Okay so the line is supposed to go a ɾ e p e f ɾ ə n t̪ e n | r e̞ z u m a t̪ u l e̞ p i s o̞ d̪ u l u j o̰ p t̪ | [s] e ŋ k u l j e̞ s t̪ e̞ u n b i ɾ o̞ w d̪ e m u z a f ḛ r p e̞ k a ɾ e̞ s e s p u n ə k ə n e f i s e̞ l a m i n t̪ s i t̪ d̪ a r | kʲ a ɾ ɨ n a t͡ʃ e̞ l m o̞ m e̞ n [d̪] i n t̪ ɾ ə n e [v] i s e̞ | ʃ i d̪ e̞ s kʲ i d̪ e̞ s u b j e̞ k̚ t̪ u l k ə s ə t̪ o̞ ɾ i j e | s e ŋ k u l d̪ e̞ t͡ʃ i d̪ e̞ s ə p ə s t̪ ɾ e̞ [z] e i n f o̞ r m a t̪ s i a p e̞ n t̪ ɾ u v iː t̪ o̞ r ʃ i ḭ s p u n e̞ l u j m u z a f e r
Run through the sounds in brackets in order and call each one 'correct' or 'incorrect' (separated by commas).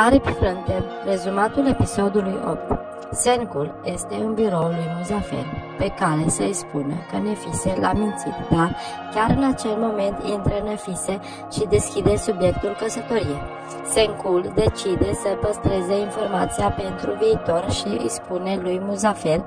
correct, incorrect, incorrect, correct